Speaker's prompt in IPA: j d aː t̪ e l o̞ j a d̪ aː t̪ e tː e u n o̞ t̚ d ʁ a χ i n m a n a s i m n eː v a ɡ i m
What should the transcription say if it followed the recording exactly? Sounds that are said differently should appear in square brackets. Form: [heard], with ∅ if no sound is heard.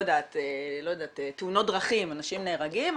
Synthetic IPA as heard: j d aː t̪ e l o̞ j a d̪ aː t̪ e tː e u n o̞ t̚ d ʁ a χ i [∅] m a n a [ʃ] i m n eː [ʁ] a ɡ i m